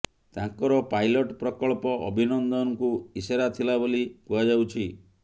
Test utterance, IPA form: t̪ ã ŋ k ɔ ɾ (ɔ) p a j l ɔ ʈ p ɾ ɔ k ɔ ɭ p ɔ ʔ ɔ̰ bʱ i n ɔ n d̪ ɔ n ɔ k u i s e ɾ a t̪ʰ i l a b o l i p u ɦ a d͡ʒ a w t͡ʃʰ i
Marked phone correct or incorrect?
correct